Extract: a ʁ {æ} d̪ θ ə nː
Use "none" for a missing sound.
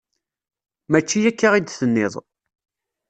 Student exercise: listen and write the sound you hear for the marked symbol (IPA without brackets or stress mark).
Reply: i